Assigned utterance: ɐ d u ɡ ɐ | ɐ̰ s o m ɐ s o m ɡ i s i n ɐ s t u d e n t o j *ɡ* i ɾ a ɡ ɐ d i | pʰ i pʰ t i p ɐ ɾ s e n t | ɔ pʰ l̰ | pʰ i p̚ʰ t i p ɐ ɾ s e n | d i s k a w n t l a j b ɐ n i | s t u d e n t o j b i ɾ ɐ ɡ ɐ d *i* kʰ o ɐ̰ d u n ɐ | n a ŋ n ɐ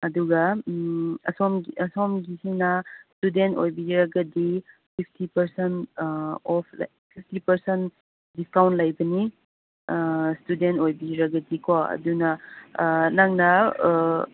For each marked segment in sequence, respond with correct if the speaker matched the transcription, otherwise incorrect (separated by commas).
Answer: incorrect, correct